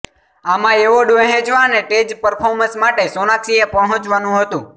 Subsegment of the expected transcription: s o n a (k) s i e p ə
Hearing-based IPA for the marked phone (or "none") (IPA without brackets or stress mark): k